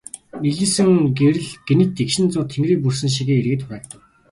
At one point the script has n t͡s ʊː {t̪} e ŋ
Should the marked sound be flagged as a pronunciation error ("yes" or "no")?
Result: yes